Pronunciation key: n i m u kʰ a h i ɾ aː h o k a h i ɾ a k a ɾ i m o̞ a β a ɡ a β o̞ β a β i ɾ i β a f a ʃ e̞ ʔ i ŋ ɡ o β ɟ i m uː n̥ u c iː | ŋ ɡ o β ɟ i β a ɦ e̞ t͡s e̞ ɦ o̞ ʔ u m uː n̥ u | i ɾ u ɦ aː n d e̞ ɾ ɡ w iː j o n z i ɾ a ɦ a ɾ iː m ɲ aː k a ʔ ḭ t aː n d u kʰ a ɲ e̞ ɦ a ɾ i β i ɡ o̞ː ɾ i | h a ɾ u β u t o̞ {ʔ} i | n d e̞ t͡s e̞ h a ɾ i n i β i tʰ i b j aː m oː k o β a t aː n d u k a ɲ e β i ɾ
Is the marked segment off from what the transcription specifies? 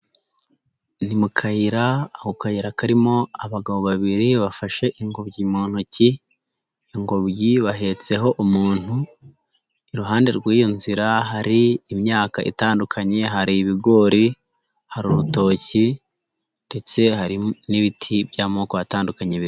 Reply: yes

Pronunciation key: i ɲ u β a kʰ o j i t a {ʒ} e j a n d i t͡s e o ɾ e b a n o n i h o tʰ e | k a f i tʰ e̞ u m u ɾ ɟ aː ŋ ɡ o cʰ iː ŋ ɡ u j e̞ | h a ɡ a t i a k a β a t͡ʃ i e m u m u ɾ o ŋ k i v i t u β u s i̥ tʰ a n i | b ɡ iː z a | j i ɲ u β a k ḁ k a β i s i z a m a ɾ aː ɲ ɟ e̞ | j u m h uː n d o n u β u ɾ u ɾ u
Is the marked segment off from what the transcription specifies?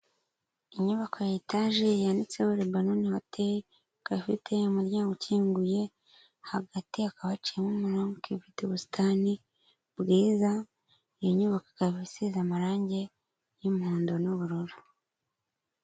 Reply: no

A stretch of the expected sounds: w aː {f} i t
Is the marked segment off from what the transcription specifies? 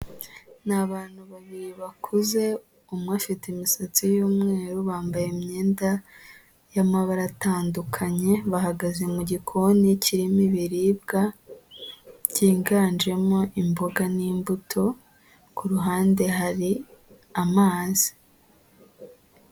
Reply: no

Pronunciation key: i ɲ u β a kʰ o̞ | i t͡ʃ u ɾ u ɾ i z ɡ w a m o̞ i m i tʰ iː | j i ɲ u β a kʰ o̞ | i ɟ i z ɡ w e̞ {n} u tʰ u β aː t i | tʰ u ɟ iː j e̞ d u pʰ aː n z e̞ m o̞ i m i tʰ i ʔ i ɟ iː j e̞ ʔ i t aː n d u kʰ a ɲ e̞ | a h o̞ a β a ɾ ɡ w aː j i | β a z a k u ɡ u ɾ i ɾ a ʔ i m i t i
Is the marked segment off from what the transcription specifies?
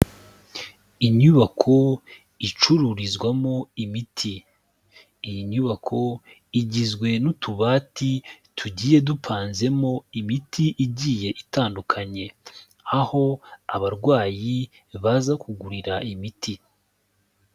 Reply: no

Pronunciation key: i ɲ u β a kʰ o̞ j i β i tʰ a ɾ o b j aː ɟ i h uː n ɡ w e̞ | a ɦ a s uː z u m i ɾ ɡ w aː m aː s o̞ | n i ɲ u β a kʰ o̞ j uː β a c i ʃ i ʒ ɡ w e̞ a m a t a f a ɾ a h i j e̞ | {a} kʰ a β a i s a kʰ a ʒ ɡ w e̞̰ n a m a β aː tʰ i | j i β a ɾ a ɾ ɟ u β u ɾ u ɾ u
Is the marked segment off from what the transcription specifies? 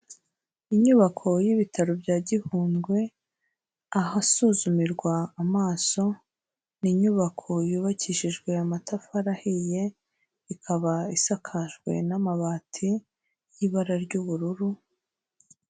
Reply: yes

